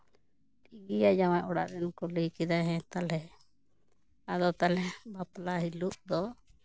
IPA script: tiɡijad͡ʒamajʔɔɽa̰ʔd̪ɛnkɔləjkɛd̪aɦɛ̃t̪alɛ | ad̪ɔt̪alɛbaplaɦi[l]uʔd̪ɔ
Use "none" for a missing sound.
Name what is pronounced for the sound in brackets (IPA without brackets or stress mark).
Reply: l